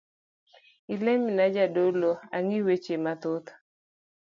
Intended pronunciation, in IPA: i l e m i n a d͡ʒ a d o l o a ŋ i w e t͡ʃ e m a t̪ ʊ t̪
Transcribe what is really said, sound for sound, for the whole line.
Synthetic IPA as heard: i l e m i n a d͡ʒ a d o l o a ŋ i w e t͡ʃ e m a t̪ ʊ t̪